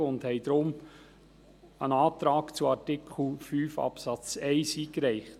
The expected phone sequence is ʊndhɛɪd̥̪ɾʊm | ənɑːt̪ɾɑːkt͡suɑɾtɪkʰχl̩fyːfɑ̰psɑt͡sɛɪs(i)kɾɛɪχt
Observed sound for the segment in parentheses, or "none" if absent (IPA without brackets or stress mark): iː